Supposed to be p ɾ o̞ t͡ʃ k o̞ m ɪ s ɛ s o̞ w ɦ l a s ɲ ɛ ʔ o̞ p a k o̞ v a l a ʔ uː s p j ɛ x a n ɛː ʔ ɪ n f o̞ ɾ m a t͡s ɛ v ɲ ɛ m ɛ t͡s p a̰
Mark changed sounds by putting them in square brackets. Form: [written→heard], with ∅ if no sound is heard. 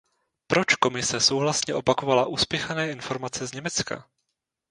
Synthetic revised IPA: p ɾ o̞ t͡ʃ k o̞ m ɪ s ɛ s o̞ w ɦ l a s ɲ ɛ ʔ o̞ p a k o̞ v a l a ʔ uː s p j ɛ x a n ɛː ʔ ɪ n f o̞ ɾ m a t͡s ɛ [v→z] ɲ ɛ m ɛ t͡s [p→k] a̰